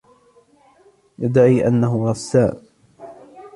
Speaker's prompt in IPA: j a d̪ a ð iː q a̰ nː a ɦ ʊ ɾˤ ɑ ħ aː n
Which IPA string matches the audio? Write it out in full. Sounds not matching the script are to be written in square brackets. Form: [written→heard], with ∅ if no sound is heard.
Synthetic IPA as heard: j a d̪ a [ð→ʕ] iː [q→ʔ] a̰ nː a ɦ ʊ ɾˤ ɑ [ħ→s] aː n